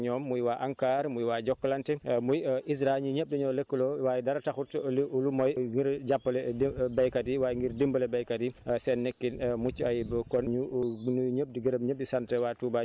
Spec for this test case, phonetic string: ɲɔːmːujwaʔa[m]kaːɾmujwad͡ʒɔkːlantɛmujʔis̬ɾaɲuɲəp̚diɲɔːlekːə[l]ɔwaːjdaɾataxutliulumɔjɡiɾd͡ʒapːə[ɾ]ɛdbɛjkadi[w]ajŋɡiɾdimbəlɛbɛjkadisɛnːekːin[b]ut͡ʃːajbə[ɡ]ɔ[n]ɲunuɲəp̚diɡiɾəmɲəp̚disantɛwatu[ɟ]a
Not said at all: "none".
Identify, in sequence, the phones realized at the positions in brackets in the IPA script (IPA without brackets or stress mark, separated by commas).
ŋ, l, l, w, m, k, n, b